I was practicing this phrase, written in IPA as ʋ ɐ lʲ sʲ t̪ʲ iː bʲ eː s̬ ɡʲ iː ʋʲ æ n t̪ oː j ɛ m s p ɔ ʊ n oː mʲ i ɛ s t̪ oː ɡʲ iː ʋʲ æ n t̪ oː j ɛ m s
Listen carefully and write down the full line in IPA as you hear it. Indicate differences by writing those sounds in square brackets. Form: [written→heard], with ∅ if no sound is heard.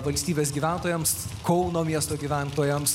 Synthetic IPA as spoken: ʋ ɐ lʲ sʲ t̪ʲ iː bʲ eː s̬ ɡʲ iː ʋʲ æ n t̪ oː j ɛ m s [p→k] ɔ ʊ n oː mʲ i ɛ s t̪ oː ɡʲ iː ʋʲ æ n t̪ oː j ɛ m s